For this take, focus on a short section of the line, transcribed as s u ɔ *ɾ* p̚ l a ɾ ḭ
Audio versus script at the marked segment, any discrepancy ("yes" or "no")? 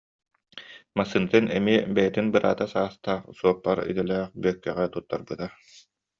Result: yes